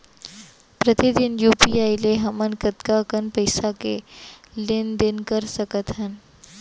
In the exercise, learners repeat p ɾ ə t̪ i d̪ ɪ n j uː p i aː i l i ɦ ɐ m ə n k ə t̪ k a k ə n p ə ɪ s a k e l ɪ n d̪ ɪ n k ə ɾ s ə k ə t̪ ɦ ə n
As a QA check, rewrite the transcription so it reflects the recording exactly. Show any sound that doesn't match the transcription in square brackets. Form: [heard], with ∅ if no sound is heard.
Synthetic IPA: p ɾ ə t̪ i d̪ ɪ n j uː p i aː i l [e] ɦ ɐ m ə n k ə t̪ k a k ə n p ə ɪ s a k e l ɪ n d̪ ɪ n k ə ɾ s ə k ə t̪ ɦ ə n